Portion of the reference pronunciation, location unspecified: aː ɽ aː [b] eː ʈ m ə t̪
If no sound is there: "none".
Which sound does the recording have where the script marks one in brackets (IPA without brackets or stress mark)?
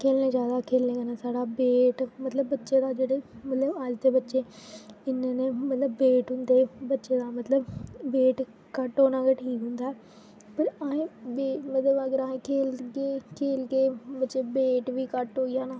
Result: b